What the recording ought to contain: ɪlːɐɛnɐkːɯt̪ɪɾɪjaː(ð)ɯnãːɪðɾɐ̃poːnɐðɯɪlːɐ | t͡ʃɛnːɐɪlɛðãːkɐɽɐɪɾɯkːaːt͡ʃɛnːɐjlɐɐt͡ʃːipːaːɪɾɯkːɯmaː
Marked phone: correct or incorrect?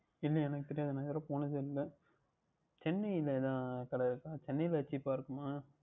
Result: correct